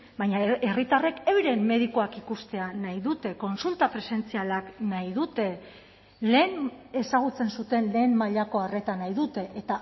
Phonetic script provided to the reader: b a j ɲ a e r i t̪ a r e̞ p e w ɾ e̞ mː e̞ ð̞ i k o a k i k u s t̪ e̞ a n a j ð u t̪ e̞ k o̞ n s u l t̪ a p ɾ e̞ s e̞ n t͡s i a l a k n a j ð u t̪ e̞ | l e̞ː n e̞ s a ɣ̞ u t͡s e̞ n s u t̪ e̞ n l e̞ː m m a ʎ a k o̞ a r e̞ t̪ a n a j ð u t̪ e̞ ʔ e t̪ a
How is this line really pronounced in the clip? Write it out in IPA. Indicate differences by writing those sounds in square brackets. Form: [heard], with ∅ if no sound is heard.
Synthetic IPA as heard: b a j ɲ a e r i t̪ a r e̞ [k] e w ɾ e̞ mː e̞ ð̞ i k o a k i k u s t̪ e̞ a n a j ð u t̪ e̞ k o̞ n s u l t̪ a p ɾ e̞ s e̞ n t͡s i a l a k n a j ð u t̪ e̞ | l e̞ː n e̞ s a ɣ̞ u t͡s e̞ n s u t̪ e̞ n l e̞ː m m a ʎ a k o̞ a r e̞ t̪ a n a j ð u t̪ e̞ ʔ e t̪ a